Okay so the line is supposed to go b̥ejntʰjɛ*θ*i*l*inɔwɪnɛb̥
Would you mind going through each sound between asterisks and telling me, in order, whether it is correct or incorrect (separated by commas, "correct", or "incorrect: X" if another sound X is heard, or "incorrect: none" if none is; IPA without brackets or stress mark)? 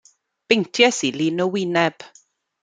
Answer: incorrect: s, correct